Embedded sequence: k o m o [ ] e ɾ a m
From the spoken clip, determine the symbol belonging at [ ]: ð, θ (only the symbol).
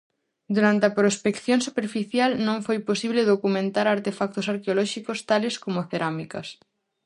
θ